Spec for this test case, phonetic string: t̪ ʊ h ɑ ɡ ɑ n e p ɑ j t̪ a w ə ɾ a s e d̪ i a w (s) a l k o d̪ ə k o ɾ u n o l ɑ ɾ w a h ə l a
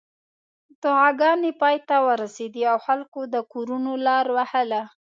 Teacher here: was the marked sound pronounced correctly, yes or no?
no